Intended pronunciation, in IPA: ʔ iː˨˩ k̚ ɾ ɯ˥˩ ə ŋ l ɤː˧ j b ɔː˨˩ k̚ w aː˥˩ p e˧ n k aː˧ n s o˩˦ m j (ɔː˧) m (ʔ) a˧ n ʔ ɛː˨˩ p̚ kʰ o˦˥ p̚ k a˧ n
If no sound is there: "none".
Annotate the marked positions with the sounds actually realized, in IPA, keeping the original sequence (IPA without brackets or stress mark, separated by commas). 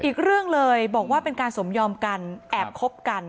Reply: ɔː˧, k